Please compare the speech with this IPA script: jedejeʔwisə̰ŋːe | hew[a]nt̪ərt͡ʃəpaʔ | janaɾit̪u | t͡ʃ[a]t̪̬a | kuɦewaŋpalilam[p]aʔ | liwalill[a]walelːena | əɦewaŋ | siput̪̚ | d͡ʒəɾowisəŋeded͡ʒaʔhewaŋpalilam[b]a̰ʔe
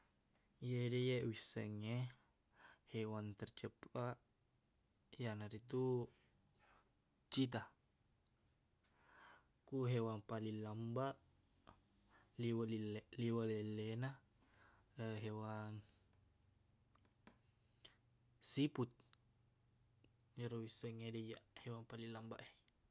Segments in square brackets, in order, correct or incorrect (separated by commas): correct, incorrect, incorrect, incorrect, correct